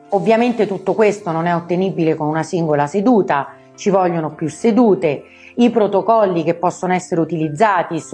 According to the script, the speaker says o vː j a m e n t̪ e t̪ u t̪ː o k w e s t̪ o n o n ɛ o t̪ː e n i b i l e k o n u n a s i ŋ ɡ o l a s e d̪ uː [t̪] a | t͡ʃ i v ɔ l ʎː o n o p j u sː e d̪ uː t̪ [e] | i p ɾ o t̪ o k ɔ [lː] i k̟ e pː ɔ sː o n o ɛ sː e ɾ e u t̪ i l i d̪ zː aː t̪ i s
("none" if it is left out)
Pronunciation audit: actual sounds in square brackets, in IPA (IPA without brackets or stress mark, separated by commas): t̪, e, lː